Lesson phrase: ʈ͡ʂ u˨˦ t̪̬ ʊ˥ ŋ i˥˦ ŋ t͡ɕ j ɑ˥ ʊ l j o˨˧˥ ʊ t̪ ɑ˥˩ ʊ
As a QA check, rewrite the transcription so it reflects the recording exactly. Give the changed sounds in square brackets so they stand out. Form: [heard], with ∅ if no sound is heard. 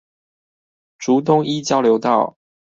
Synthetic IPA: ʈ͡ʂ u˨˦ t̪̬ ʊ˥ ŋ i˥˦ [∅] t͡ɕ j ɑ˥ ʊ l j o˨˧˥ ʊ t̪ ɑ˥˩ ʊ